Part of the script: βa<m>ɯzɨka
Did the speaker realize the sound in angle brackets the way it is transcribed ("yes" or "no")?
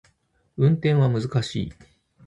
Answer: yes